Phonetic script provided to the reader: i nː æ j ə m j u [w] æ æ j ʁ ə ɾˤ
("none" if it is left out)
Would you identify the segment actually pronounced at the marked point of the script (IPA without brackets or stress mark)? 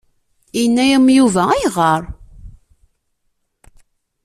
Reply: v